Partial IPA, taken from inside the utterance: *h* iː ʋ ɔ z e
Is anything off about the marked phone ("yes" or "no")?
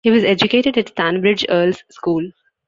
no